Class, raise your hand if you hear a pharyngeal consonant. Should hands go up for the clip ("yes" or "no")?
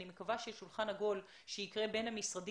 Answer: no